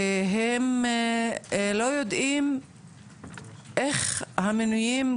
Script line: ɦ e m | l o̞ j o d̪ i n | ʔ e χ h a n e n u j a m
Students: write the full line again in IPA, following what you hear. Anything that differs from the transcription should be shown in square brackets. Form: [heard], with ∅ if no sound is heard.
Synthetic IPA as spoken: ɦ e m | l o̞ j o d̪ i [m] | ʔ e χ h a [m] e n u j [i] m